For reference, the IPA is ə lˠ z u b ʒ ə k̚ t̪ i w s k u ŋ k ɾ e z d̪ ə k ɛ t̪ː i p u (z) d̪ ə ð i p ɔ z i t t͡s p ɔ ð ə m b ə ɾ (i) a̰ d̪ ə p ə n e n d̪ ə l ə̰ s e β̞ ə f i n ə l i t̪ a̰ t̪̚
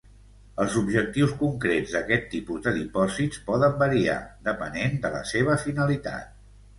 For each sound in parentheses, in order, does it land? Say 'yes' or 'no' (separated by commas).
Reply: yes, yes